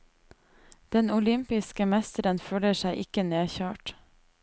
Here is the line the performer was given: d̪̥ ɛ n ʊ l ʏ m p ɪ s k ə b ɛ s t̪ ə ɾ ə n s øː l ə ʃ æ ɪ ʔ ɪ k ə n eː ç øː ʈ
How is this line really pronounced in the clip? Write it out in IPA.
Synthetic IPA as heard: d̪̥ ɛ n ʊ l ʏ m p ɪ s k ə m ɛ s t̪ ə ɾ ə n f øː l ə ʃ æ ɪ ʔ ɪ k ə n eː ç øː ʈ